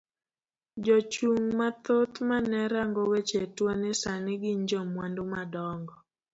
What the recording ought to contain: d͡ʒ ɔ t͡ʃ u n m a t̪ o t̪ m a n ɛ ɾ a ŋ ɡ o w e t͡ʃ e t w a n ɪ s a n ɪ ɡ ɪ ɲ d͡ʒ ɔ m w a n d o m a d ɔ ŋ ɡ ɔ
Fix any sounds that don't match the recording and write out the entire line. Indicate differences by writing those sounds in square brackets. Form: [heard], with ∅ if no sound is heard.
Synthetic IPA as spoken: d͡ʒ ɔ t͡ʃ u [ŋ] m a t̪ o t̪ m a n ɛ ɾ a ŋ ɡ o w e t͡ʃ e t w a n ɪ s a n ɪ ɡ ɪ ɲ d͡ʒ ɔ m w a n d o m a d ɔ ŋ ɡ ɔ